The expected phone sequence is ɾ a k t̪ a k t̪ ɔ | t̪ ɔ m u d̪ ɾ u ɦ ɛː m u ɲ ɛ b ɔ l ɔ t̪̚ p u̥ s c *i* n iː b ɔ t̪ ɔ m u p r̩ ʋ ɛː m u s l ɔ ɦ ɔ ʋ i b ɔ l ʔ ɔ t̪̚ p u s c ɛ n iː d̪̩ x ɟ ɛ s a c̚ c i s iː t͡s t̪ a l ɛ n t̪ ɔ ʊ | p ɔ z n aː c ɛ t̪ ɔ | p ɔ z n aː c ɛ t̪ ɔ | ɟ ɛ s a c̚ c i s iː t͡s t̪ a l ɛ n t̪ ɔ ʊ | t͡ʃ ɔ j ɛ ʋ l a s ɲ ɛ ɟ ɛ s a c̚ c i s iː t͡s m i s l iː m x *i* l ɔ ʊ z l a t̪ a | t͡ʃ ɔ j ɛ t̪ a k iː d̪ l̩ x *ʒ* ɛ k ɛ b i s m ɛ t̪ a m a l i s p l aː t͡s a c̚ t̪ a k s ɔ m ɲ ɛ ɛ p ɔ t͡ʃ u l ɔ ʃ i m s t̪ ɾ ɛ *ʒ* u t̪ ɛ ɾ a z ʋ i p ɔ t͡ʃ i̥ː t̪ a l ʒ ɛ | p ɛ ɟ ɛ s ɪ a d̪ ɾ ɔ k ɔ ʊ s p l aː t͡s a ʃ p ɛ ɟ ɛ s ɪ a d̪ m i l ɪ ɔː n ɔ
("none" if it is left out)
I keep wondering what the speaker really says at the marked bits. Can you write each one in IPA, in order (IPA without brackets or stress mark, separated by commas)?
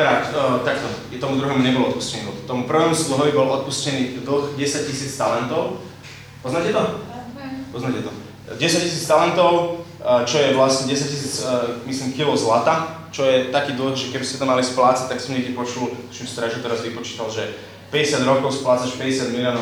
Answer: ɛ, i, ʒ, ʒ